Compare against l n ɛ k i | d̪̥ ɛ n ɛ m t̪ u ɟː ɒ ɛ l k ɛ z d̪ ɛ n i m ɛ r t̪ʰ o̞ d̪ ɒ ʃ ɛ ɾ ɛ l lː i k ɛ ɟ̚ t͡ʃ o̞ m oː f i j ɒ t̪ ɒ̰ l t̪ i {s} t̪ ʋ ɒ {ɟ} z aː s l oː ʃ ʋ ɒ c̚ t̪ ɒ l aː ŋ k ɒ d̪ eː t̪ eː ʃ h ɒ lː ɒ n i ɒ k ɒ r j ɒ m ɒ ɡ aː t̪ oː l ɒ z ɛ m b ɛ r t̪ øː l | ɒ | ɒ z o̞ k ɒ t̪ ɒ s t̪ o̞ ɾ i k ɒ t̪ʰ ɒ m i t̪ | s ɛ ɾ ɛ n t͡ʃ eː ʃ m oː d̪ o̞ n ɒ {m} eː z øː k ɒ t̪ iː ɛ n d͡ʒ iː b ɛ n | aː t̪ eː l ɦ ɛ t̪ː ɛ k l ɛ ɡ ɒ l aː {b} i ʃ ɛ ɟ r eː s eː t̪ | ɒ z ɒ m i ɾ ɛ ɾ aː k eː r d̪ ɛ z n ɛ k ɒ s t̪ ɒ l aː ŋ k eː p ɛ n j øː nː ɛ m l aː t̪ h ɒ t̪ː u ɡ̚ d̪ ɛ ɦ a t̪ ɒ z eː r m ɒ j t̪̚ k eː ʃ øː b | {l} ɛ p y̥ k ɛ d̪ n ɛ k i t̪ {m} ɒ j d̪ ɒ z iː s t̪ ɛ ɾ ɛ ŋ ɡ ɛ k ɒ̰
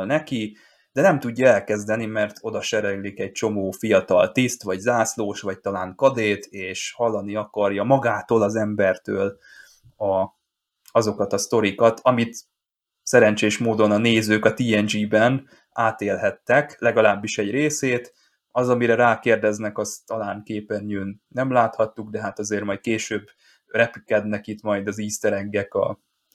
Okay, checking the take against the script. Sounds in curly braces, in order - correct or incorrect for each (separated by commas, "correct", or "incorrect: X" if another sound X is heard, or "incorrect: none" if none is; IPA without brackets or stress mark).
correct, correct, incorrect: n, incorrect: bː, incorrect: r, correct